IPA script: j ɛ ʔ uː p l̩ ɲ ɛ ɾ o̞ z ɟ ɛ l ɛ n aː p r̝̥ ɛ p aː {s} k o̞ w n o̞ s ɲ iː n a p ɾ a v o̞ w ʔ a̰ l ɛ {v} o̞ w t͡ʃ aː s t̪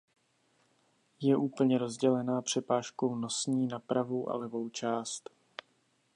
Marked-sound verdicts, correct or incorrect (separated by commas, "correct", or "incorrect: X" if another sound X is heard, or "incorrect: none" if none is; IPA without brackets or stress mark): incorrect: ʃ, correct